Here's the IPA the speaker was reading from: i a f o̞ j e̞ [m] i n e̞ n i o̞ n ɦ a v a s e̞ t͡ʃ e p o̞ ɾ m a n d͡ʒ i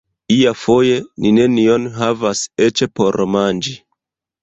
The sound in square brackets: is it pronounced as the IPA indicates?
no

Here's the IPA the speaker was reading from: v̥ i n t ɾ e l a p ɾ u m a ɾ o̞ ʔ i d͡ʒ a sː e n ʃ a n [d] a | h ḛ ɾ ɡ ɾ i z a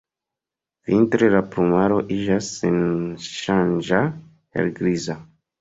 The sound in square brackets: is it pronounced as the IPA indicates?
no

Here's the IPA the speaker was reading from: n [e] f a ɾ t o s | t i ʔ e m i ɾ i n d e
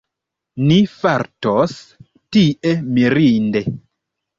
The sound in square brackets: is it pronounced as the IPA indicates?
no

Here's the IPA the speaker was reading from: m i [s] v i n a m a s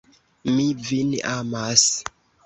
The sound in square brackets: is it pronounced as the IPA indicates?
no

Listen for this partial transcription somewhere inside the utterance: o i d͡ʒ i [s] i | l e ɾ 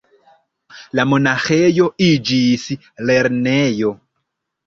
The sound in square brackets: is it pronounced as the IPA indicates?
yes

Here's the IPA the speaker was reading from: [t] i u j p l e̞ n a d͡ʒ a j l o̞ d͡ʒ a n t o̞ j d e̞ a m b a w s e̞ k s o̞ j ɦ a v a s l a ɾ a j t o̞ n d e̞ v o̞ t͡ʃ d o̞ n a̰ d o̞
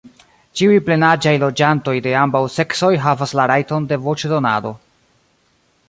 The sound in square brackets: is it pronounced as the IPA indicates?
no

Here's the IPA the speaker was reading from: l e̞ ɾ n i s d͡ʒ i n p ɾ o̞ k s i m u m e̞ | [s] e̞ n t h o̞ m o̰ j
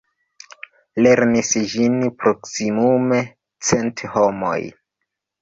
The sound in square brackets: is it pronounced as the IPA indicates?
no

